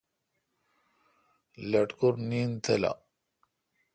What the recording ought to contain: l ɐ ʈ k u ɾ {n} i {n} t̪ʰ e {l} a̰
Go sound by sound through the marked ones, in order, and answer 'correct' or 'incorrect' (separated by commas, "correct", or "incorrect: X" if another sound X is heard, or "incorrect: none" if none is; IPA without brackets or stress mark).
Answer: correct, correct, correct